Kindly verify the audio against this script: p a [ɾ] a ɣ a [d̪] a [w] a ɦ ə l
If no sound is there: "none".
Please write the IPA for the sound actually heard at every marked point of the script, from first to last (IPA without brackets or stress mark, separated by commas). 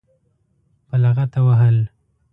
l, t̪, w